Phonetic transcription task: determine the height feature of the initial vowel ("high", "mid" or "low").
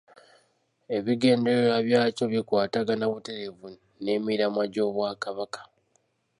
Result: mid